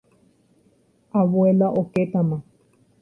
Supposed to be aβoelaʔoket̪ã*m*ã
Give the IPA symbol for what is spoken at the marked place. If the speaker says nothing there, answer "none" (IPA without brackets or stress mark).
m